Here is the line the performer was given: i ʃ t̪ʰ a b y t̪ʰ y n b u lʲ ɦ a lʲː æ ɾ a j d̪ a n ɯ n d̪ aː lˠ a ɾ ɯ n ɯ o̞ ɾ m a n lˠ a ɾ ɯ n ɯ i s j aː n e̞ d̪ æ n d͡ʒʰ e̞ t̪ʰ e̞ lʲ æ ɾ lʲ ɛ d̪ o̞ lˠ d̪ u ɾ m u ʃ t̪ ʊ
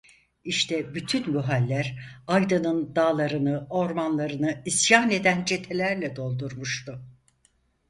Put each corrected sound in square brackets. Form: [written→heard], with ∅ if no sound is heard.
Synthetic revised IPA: i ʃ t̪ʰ [a→ɛ] b y t̪ʰ y n b u [lʲ→∅] ɦ a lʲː æ ɾ a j d̪ a n ɯ n d̪ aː lˠ a ɾ ɯ n ɯ o̞ ɾ m a n lˠ a ɾ ɯ n ɯ i s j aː n e̞ d̪ æ n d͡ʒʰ e̞ t̪ʰ e̞ lʲ æ ɾ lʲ ɛ d̪ o̞ lˠ d̪ u ɾ m u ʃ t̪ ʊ

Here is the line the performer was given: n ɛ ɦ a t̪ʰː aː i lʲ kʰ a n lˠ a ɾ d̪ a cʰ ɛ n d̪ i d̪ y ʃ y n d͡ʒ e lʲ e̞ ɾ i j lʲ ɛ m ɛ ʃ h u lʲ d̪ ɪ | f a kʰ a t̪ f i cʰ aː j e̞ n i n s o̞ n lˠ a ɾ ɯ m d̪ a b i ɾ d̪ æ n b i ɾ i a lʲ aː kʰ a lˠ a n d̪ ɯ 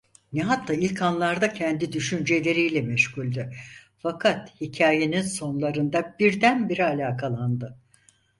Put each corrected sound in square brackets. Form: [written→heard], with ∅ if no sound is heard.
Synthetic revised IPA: n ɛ ɦ a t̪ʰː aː i lʲ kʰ a n lˠ a ɾ d̪ a cʰ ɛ n d̪ i d̪ y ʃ y n d͡ʒ e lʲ e̞ ɾ i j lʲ ɛ m ɛ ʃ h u lʲ d̪ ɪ | f a kʰ a t̪ [f→h] i cʰ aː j e̞ n i n s o̞ n lˠ a ɾ ɯ [m→n] d̪ a b i ɾ d̪ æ n b i ɾ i a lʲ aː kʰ a lˠ a n d̪ ɯ

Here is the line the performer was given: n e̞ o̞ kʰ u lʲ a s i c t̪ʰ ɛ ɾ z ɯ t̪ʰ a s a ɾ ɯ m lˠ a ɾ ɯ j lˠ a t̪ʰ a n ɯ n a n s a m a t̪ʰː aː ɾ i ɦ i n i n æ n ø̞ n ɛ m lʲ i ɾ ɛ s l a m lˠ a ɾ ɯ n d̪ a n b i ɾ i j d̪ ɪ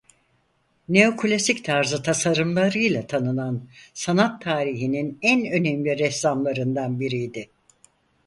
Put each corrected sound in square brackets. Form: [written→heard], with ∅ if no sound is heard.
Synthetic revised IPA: n e̞ o̞ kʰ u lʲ a s i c t̪ʰ [ɛ→a] ɾ z ɯ t̪ʰ a s a ɾ ɯ m lˠ a ɾ ɯ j lˠ a t̪ʰ a n ɯ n a n s a [m→n] a t̪ʰː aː ɾ i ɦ i n i n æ n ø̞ n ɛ m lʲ i ɾ ɛ s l a m lˠ a ɾ ɯ n d̪ a n b i ɾ i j d̪ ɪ

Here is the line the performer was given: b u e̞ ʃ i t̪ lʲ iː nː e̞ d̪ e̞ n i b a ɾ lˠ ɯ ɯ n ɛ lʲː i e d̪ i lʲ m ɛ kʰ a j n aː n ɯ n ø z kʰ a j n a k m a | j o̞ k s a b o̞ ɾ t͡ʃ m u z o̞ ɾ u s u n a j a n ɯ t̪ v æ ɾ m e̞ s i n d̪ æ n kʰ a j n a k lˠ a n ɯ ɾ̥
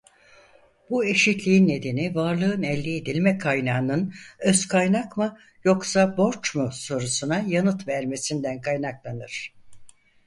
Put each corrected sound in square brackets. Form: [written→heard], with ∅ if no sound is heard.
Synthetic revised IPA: b u e̞ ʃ i t̪ lʲ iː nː e̞ d̪ e̞ n i [b→v] a ɾ lˠ ɯ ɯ n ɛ lʲː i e d̪ i lʲ m ɛ kʰ a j n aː n ɯ n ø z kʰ a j n a k m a | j o̞ k s a b o̞ ɾ t͡ʃ m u [z→s] o̞ ɾ u s u n a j a n ɯ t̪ v æ ɾ m e̞ s i n d̪ æ n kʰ a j n a k lˠ a n ɯ ɾ̥

